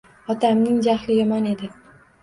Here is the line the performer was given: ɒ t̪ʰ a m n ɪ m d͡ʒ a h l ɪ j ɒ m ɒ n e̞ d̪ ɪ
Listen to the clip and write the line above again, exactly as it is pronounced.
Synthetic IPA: ɒ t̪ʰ a m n ɪ ŋ d͡ʒ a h l ɪ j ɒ m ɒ n e̞ d̪ ɪ